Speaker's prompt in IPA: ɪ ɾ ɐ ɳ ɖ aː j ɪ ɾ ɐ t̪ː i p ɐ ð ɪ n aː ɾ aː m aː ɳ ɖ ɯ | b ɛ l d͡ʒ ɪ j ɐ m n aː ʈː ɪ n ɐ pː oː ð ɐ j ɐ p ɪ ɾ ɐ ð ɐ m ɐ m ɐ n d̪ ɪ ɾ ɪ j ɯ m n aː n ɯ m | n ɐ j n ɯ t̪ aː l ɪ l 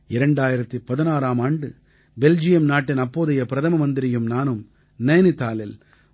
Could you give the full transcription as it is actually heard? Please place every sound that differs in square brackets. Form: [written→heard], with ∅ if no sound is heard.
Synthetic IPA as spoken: ɪ ɾ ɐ ɳ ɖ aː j ɪ ɾ ɐ t̪ː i p ɐ ð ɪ n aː ɾ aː m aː ɳ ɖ ɯ | b ɛ l d͡ʒ ɪ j ɐ m n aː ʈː ɪ n ɐ pː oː ð ɐ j ɐ p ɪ ɾ ɐ ð ɐ m ɐ m ɐ n d̪ ɪ ɾ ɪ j ɯ m n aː n ɯ m | n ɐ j n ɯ t̪ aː l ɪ l

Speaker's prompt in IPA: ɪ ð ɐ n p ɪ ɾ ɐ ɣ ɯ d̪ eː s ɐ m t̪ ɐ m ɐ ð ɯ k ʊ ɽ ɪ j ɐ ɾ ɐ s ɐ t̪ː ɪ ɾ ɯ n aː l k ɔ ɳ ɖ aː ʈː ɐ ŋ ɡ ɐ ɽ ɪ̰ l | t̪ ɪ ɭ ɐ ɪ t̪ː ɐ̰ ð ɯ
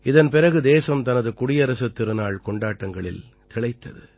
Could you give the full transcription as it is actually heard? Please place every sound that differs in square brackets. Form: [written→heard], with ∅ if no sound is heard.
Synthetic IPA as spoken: ɪ ð ɐ n p ɪ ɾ ɐ ɣ ɯ d̪ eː s ɐ m t̪ ɐ [m→n] ɐ ð ɯ k ʊ ɽ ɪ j ɐ ɾ ɐ s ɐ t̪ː ɪ ɾ ɯ n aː [l→ɭ] k ɔ ɳ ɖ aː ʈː ɐ ŋ ɡ ɐ [ɽ→ɭ] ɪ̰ l | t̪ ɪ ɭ ɐ ɪ t̪ː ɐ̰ ð ɯ

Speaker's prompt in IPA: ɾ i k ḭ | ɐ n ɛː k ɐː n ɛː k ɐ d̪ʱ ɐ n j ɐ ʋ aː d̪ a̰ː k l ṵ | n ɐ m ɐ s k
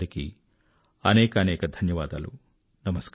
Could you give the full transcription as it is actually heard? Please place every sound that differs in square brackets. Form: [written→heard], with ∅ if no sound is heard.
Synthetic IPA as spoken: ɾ i k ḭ | ɐ n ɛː k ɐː n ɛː k ɐ d̪ʱ ɐ n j ɐ ʋ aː d̪ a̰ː [k→∅] l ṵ | n ɐ m ɐ s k

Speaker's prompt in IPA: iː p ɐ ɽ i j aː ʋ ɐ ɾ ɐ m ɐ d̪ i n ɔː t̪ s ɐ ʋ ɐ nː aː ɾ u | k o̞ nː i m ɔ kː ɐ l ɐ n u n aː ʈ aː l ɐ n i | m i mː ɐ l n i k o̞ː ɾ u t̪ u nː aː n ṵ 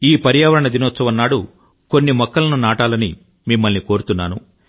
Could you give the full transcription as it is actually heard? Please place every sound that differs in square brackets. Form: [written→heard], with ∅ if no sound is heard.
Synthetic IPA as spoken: iː p ɐ [ɽ→ɾ] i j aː ʋ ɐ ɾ ɐ [m→ɳ] ɐ d̪ i n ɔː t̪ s ɐ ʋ ɐ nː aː [ɾ→ɽ] u | k o̞ nː i m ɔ kː ɐ l ɐ n u n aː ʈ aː l ɐ n i | m i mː ɐ l n i k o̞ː ɾ u t̪ u nː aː n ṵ

